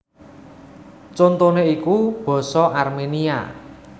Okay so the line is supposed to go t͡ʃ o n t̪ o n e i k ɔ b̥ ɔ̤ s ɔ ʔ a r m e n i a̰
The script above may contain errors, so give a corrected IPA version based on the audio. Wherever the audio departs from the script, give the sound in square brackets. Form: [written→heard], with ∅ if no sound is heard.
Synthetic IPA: t͡ʃ o n t̪ o n e i k [ɔ→u] b̥ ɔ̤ s ɔ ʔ a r m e n i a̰